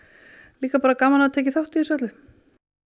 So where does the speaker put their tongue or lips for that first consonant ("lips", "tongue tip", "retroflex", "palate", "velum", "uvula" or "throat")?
tongue tip